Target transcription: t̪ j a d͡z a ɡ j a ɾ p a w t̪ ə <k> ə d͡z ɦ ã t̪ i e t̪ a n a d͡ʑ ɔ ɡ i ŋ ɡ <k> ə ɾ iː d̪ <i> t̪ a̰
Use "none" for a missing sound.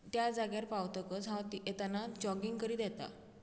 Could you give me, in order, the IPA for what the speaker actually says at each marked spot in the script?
k, k, ɛ

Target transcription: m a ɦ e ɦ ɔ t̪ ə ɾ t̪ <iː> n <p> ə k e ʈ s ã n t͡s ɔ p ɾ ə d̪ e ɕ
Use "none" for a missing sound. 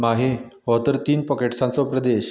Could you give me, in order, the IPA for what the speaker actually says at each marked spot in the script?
iː, p

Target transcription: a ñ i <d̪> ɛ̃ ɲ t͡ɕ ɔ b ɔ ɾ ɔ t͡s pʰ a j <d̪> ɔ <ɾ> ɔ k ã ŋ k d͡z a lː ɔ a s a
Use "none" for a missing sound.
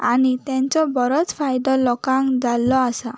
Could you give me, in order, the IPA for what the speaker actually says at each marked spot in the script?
t̪, d̪, l

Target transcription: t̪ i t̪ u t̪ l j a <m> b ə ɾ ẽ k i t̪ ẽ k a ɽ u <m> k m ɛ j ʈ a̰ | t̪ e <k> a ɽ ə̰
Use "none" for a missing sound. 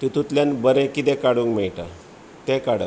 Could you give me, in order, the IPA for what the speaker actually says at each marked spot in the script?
n, ŋ, k

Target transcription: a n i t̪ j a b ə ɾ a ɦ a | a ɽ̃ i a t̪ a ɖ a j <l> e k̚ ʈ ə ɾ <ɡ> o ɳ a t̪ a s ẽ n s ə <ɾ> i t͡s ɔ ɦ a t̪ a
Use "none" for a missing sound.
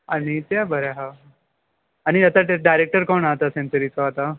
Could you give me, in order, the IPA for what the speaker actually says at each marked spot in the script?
ɾ, k, ɾ

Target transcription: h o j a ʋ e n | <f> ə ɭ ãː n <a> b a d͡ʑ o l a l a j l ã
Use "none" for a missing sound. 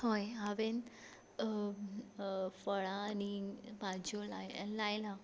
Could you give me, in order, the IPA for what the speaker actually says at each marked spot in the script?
f, i

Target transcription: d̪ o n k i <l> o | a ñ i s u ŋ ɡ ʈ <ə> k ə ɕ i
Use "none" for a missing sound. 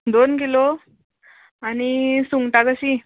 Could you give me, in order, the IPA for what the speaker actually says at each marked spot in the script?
l, a

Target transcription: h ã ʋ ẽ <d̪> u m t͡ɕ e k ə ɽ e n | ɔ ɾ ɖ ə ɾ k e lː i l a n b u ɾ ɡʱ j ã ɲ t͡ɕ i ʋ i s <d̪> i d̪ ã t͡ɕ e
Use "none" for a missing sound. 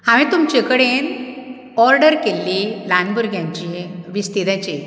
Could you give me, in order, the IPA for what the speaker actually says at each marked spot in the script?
t̪, t̪

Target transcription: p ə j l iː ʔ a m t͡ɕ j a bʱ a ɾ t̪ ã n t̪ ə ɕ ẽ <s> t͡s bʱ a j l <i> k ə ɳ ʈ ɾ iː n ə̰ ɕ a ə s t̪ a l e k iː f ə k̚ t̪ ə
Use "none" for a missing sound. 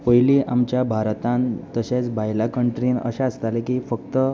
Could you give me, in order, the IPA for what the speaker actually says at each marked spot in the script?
none, a

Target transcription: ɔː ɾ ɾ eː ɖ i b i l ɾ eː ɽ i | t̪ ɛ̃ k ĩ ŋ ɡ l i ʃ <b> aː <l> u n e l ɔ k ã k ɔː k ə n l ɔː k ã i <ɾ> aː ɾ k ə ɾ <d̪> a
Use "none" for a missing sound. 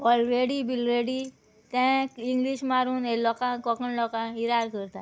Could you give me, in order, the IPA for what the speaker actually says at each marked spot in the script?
m, ɾ, ɾ, t̪

